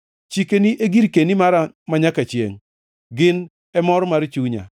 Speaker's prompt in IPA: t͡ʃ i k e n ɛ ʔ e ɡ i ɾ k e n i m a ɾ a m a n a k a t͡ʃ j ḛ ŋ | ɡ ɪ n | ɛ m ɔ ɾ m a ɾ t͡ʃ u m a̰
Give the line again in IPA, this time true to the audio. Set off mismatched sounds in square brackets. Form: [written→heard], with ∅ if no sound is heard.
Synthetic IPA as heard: t͡ʃ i k e n [ɛ→i] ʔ e ɡ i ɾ k e n i m a ɾ a m a [n→ɲ] a k a t͡ʃ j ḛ ŋ | ɡ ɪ n | ɛ m ɔ ɾ m a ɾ t͡ʃ u [m→ɲ] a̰